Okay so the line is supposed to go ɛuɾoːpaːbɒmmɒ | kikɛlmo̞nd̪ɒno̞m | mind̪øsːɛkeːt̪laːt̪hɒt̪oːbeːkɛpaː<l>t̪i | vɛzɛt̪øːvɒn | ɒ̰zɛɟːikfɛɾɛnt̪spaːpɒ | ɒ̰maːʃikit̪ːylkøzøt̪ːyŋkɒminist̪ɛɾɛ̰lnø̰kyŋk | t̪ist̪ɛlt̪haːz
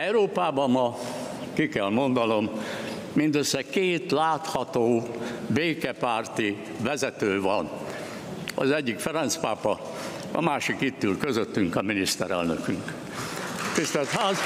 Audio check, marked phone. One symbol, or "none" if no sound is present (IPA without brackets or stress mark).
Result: r